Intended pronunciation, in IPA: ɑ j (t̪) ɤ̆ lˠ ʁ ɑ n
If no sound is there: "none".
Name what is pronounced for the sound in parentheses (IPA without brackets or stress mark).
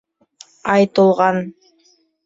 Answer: t̪